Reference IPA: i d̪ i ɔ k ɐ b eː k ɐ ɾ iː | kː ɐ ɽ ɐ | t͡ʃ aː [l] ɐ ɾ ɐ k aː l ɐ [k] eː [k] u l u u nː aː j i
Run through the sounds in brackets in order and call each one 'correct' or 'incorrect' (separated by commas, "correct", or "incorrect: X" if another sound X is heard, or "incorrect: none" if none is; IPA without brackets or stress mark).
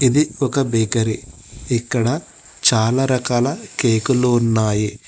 correct, correct, correct